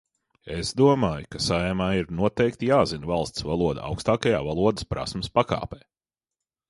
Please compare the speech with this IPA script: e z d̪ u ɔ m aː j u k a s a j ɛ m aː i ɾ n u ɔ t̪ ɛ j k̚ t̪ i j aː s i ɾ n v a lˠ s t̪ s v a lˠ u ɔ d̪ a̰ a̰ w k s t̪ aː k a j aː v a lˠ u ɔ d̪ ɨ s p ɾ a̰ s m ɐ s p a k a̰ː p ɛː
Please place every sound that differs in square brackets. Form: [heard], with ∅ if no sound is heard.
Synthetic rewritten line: e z d̪ u ɔ m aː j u k a s a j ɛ m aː i ɾ n u ɔ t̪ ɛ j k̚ t̪ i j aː [z] i [∅] n v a lˠ s t̪ s v a lˠ u ɔ d̪ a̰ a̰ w k s t̪ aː k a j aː v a lˠ u ɔ d̪ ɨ s p ɾ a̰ s m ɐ s p a k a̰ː p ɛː